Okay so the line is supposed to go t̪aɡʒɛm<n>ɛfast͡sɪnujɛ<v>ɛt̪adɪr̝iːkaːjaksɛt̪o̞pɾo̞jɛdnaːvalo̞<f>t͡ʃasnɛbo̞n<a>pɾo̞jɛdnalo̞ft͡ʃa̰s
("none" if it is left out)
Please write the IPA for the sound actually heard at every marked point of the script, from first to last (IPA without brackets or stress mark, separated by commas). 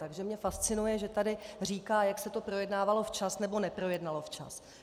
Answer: ɲ, ʒ, f, ɛ